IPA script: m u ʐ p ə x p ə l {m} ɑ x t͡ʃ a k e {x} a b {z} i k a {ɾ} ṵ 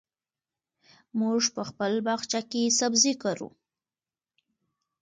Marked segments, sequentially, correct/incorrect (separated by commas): incorrect, incorrect, correct, correct